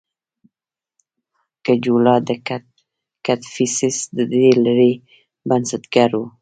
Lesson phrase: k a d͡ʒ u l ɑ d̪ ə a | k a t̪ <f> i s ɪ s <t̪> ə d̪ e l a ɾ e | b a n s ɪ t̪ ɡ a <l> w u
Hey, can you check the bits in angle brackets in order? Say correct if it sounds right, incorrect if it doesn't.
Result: correct, incorrect: d̪, incorrect: ɾ

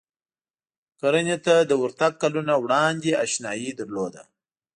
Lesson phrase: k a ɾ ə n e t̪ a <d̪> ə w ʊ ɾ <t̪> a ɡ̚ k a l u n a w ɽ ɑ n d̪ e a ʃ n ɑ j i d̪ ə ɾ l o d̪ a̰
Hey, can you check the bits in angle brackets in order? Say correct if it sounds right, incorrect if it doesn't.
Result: correct, correct

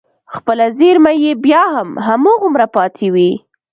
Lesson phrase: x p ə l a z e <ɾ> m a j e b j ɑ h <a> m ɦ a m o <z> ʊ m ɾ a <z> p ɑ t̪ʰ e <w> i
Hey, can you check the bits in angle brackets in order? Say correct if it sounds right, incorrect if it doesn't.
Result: correct, correct, incorrect: ɣ, incorrect: none, correct

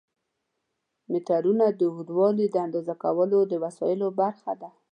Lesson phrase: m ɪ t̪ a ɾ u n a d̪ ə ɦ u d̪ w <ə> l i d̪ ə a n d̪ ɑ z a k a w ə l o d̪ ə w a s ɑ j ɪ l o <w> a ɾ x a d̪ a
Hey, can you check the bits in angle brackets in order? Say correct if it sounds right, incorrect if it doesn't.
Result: incorrect: ɑ, incorrect: b

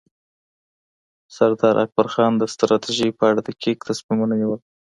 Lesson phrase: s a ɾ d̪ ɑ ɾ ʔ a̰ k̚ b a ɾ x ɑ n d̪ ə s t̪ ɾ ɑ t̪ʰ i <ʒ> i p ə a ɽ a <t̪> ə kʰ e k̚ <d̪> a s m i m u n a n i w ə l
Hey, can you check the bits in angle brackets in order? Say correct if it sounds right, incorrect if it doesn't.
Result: correct, incorrect: d̪, incorrect: t̪

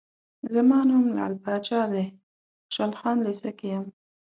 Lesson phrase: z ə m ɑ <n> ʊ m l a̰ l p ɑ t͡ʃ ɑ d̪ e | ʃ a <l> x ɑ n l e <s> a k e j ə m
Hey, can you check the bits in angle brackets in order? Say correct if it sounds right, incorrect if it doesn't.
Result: correct, correct, correct

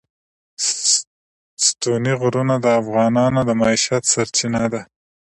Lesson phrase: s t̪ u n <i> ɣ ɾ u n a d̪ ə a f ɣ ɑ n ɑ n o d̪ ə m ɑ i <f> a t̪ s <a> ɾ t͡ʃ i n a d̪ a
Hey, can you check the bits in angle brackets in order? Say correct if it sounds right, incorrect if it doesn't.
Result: correct, incorrect: ʃ, correct

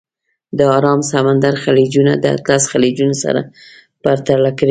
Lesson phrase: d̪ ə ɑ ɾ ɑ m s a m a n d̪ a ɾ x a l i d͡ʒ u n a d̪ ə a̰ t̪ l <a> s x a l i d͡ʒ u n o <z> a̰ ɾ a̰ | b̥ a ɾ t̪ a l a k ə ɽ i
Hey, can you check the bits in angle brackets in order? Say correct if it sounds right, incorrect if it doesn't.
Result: correct, incorrect: s

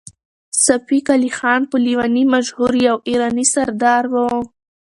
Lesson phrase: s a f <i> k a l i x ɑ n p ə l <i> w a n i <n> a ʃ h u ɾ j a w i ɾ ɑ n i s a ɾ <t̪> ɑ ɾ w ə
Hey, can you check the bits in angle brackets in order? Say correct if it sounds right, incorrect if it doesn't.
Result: correct, correct, incorrect: m, incorrect: d̪

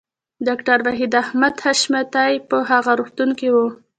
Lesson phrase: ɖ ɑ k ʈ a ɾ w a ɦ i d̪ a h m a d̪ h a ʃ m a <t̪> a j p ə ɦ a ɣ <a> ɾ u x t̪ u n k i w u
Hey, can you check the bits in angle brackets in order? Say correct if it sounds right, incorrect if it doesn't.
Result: correct, correct

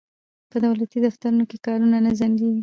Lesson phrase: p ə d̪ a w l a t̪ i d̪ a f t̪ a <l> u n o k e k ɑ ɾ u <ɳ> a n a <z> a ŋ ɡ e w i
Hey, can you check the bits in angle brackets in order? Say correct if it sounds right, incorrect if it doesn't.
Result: incorrect: ɾ, incorrect: n, correct

